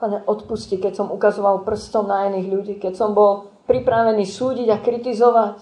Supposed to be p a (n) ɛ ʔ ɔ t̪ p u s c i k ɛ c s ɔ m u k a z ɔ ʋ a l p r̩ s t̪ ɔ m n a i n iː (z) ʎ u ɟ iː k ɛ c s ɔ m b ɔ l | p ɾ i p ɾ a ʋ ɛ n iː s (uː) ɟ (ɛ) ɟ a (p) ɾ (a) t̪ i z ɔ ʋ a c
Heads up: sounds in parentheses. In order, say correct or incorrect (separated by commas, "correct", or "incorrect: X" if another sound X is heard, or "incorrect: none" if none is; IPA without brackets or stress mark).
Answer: incorrect: ɲ, incorrect: ɣ, correct, incorrect: i, incorrect: k, incorrect: i